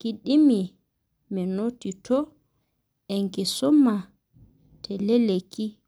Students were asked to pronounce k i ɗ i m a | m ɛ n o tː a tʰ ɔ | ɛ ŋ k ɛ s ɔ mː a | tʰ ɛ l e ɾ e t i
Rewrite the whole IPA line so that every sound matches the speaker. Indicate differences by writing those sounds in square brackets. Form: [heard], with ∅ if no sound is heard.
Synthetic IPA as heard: k i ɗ i m [i] | m ɛ n o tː [i] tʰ ɔ | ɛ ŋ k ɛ s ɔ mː a | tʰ ɛ l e [l] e [k] i